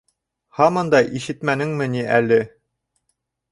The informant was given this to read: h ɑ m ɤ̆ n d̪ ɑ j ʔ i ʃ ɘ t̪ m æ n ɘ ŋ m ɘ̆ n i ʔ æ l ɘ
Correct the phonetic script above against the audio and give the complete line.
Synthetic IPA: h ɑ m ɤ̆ n d̪ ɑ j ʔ i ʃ ɘ t̪ m æ n ɘ ŋ m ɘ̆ n i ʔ æ l ɘ